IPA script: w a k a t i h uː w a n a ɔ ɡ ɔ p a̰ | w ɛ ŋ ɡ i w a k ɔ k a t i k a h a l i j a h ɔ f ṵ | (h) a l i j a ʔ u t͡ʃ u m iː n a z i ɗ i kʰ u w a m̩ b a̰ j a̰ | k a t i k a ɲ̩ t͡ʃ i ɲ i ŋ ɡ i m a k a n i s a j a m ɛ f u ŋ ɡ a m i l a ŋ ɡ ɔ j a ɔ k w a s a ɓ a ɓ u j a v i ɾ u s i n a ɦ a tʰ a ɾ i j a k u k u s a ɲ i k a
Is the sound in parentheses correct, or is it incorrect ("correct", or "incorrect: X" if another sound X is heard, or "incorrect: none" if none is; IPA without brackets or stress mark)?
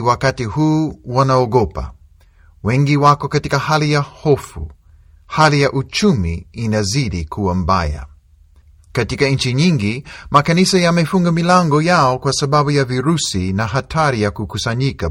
correct